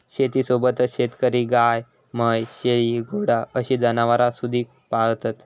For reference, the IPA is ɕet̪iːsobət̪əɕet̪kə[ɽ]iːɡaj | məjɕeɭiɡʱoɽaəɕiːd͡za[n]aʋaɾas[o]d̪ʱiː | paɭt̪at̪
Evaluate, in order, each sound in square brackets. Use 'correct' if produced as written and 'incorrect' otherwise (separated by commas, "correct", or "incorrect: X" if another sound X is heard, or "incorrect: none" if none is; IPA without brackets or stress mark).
incorrect: ɾ, correct, incorrect: u